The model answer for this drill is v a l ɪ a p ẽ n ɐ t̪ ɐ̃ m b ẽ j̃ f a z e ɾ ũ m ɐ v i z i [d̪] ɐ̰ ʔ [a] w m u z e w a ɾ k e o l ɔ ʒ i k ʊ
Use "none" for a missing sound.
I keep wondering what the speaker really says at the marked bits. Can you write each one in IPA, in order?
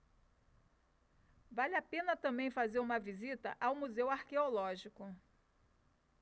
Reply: t̪, a

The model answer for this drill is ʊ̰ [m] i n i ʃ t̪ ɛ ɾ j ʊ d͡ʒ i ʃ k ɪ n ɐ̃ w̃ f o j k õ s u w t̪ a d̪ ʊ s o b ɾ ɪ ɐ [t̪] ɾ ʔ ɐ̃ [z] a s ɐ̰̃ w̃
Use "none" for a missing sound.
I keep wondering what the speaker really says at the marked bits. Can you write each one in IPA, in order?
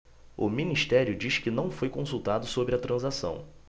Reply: m, t̪, z

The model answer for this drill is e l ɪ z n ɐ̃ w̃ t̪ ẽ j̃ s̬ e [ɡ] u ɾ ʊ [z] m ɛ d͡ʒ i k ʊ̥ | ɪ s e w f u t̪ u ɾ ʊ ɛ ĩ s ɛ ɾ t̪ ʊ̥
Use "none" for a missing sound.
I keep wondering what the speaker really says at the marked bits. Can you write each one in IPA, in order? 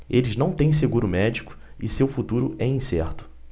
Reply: ɡ, none

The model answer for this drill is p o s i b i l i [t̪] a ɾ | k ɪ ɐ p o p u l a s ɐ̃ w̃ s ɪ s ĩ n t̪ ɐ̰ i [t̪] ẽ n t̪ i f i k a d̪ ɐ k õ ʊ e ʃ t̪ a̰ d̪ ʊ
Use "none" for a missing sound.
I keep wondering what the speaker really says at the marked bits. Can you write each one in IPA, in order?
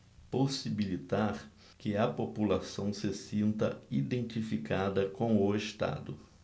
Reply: t̪, d̪

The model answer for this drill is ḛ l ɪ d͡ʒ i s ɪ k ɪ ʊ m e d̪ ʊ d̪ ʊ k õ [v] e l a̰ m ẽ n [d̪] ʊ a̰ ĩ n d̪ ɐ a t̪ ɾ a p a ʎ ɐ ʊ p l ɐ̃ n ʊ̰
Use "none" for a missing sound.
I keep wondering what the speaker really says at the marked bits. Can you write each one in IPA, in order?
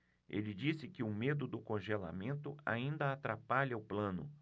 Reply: ʒ, t̪

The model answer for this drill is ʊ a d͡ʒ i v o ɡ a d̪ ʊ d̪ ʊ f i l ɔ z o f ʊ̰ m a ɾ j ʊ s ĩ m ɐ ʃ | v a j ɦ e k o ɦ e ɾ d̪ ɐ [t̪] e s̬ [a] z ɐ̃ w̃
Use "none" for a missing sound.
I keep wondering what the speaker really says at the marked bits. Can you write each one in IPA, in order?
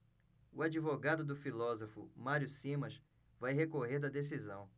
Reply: d̪, i

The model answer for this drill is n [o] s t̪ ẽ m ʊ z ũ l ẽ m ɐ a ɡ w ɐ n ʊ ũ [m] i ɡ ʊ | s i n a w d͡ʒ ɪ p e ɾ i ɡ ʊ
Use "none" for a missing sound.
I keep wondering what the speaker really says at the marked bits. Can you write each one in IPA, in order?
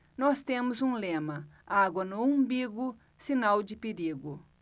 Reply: ɔ, b

